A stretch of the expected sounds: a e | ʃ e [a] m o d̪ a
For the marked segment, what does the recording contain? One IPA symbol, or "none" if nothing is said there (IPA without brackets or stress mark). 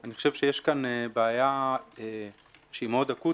i